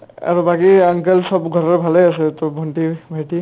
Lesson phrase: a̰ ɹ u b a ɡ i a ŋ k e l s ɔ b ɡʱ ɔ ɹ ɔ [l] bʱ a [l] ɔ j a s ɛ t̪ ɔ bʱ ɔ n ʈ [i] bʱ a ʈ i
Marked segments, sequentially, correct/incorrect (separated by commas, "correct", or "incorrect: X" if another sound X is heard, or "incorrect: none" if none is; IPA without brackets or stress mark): incorrect: ɹ, correct, correct